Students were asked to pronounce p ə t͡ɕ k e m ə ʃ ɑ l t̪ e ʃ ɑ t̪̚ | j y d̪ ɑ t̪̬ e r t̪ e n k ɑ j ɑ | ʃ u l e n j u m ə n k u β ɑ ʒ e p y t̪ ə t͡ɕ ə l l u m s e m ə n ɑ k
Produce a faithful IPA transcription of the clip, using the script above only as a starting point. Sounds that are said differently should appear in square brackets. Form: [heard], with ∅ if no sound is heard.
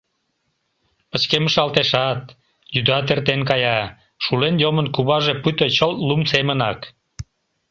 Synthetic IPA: p ə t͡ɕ k e m ə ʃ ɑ l t̪ e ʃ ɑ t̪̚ | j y d̪ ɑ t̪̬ e r t̪ e n k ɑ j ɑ | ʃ u l e n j [o] m ə n k u β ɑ ʒ e p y t̪ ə t͡ɕ ə l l u m s e m ə n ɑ k